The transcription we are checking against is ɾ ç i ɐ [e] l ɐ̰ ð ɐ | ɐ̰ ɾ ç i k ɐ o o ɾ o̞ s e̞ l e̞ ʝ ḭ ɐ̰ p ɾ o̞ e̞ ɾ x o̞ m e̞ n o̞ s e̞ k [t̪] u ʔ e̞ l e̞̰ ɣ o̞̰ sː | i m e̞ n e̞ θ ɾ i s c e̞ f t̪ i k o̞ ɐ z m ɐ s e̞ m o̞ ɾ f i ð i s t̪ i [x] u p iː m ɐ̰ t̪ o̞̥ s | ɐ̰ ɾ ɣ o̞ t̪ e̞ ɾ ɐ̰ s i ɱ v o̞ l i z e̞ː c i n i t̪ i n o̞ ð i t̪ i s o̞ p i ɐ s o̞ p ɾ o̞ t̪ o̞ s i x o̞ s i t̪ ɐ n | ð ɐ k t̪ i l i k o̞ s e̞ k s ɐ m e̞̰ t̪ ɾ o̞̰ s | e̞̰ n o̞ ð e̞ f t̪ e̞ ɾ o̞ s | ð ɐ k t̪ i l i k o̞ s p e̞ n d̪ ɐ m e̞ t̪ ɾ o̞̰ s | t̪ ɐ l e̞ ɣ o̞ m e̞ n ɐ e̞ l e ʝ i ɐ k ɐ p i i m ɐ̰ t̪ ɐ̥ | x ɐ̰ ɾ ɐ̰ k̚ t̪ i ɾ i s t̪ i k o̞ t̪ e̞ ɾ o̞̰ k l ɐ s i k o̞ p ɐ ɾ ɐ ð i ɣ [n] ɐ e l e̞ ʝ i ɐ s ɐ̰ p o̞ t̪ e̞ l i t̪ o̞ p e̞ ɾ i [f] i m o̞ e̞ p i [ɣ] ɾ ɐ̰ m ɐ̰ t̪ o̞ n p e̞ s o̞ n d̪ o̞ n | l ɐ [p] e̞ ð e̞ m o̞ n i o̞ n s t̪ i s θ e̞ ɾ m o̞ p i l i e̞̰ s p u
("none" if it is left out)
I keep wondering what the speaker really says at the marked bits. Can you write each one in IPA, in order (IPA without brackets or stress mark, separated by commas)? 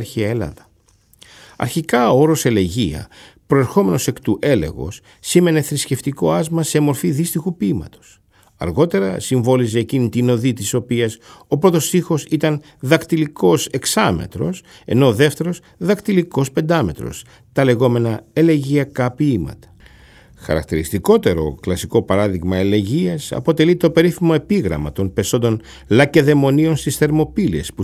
e, t̪, x, m, θ, ɣ, c